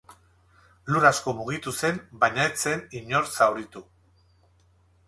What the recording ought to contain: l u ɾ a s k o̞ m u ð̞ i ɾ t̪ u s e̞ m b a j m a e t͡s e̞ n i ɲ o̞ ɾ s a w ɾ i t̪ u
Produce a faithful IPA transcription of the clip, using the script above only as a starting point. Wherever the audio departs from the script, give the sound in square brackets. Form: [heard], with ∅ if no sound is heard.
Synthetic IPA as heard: l u ɾ a s k o̞ m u [ɣ̞] i [∅] t̪ u s e̞ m b a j [ɲ] a e t͡s e̞ n i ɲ o̞ ɾ s a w ɾ i t̪ u